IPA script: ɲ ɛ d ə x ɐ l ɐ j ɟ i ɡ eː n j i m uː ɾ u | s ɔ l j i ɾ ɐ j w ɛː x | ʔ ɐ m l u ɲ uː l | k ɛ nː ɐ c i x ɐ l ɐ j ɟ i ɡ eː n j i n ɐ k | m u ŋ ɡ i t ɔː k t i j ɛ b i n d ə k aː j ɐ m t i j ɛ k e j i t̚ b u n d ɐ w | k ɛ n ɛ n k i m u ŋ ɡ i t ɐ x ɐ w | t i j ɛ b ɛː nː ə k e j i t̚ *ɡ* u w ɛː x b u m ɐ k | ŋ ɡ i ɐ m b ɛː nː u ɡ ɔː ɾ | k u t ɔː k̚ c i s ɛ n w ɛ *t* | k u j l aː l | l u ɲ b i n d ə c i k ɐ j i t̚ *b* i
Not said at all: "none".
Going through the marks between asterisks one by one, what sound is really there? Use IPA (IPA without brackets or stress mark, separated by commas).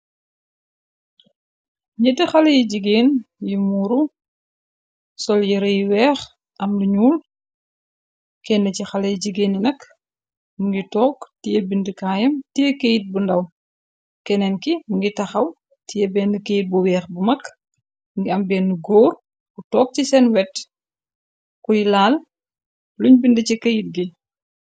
b, t, ɡ